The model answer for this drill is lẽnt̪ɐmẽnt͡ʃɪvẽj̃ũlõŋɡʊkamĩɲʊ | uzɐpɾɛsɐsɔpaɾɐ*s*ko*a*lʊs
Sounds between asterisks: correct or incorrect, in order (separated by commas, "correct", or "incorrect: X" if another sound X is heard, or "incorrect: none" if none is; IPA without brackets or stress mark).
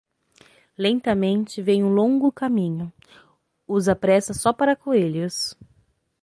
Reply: incorrect: none, incorrect: e